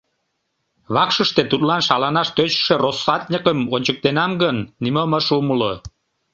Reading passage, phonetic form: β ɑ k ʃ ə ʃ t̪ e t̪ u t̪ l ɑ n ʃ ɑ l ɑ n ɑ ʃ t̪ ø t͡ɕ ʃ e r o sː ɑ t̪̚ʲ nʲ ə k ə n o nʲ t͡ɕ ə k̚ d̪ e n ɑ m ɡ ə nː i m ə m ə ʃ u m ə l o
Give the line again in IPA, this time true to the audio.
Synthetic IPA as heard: β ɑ k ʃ ə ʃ t̪ e t̪ u t̪ l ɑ n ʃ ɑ l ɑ n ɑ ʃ t̪ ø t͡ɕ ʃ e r o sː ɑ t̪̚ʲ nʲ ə k ə m o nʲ t͡ɕ ə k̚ t̪ e n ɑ m ɡ ə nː i m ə m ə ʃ u m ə l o